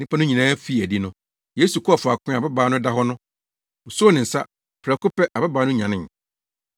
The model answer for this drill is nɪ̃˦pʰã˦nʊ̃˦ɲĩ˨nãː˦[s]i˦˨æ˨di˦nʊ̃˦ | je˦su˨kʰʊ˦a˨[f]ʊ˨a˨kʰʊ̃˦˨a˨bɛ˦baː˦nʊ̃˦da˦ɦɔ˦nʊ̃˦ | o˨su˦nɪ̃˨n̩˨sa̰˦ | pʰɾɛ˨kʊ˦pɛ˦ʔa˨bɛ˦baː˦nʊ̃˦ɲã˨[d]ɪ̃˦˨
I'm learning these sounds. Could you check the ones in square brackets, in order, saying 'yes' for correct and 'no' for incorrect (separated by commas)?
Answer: no, yes, no